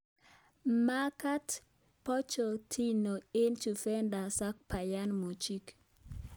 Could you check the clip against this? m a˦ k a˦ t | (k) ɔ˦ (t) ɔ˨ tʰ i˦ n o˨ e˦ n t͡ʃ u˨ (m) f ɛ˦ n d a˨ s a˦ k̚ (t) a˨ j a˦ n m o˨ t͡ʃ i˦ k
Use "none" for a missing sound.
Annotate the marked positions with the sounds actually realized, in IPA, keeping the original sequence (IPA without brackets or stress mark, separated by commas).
p, t͡ʃ, none, p